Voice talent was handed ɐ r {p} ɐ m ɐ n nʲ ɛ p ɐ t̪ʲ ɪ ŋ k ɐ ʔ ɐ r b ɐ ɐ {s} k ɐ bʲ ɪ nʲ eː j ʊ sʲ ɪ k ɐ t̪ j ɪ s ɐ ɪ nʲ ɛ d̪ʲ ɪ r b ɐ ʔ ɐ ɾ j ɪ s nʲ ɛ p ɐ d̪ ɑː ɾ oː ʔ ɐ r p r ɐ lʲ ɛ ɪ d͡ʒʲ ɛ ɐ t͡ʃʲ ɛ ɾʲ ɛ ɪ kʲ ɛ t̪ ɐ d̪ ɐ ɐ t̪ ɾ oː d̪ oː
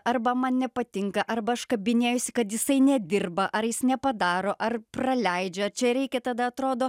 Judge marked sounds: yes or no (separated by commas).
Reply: no, no